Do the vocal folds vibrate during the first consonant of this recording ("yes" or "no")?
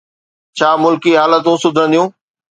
no